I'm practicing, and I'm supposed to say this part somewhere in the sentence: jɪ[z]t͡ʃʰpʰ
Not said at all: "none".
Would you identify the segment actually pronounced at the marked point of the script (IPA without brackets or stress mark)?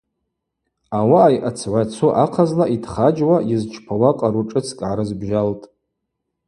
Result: z